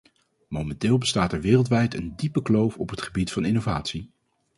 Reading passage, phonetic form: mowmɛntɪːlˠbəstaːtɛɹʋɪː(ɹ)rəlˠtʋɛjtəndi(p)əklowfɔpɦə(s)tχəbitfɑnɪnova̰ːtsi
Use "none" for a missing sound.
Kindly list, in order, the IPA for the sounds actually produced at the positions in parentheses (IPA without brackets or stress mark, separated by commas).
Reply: none, p, none